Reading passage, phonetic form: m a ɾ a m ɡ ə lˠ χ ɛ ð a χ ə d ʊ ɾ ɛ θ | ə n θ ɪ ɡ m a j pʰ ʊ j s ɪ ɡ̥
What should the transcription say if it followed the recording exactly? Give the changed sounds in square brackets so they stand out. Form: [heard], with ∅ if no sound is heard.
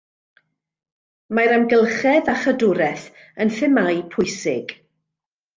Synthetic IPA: m a ɾ a m ɡ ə lˠ χ ɛ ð a χ ə d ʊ ɾ ɛ θ | ə n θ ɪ [∅] m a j pʰ ʊ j s ɪ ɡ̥